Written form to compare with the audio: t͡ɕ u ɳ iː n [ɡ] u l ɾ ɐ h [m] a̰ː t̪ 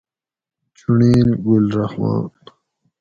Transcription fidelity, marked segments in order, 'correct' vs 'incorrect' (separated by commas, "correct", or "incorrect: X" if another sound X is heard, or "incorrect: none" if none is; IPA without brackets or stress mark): correct, correct